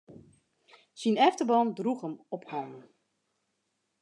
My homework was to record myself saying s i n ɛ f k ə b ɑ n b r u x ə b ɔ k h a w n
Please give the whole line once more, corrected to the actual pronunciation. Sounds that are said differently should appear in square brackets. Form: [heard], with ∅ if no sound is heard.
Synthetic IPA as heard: s i n ɛ f [t] ə b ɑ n [d] r u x ə [m] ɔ [p] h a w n